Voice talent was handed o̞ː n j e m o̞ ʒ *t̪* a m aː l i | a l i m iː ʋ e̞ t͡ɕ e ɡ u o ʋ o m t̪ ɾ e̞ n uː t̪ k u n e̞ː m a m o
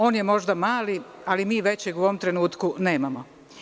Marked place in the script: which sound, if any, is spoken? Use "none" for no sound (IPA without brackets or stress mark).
d̪